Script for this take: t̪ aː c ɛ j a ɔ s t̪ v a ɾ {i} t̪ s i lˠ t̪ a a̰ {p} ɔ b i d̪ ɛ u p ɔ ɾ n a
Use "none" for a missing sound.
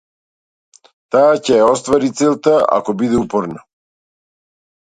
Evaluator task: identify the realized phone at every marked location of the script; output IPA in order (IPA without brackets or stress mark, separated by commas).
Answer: i, k